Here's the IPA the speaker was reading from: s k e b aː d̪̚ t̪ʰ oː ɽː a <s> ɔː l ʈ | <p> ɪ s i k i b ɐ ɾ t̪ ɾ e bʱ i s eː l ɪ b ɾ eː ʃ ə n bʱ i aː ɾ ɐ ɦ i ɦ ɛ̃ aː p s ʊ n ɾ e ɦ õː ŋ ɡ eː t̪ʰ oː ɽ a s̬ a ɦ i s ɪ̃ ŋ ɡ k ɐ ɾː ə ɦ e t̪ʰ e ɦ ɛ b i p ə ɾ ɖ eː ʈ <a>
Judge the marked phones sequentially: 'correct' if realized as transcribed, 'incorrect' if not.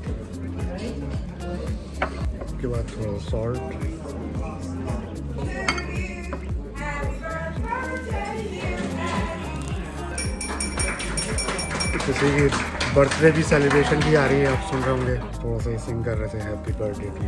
correct, incorrect, incorrect

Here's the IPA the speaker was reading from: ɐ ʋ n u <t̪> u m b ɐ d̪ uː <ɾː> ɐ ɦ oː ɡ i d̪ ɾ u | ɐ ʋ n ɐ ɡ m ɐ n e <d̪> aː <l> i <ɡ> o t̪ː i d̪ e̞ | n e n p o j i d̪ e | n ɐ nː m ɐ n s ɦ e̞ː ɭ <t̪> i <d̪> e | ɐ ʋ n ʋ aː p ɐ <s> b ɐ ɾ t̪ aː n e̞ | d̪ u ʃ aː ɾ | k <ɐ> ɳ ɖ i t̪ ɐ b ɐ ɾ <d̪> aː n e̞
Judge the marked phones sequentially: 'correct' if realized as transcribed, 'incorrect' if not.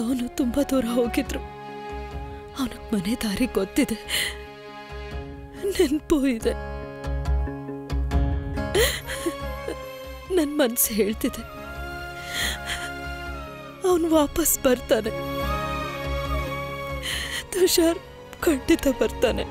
correct, incorrect, correct, incorrect, correct, correct, correct, correct, correct, incorrect

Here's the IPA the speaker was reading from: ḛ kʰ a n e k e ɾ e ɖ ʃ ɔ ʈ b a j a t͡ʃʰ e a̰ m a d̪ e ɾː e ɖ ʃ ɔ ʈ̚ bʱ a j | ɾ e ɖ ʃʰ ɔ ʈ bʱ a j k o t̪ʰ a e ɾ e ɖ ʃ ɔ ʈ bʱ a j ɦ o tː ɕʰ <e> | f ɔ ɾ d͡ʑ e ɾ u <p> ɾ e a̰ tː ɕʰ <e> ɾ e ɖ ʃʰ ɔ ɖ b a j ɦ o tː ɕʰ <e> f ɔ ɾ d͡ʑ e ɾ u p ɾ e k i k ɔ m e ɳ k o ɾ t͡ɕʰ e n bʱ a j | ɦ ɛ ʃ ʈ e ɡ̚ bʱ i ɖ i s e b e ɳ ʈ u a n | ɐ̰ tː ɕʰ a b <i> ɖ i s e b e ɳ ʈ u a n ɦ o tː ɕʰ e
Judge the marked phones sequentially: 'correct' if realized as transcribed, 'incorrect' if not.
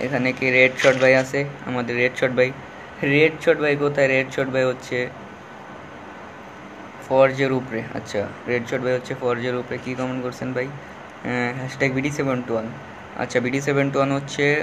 correct, correct, incorrect, correct, correct

